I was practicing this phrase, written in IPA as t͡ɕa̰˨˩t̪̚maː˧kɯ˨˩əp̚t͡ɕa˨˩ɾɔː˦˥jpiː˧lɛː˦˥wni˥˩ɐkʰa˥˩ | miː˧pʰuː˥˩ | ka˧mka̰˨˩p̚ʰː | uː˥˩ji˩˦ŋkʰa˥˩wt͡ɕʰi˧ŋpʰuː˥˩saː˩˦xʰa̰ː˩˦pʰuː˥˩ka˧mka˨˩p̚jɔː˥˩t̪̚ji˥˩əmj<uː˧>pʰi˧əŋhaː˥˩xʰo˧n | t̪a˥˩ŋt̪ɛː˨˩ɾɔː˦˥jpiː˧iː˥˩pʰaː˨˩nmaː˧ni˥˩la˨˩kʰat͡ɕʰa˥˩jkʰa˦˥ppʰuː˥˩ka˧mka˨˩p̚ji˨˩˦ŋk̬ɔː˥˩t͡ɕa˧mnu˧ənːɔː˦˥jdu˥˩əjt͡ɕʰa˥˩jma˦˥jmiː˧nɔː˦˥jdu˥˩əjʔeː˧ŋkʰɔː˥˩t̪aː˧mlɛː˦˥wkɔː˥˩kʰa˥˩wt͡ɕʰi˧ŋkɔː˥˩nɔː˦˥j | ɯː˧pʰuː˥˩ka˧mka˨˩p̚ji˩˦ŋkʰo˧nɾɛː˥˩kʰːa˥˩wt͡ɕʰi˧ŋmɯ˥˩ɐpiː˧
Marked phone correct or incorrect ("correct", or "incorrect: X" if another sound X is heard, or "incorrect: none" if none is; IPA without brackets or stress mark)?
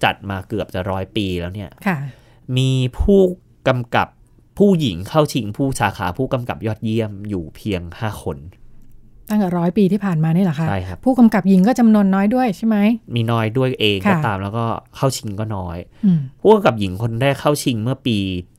incorrect: uː˨˩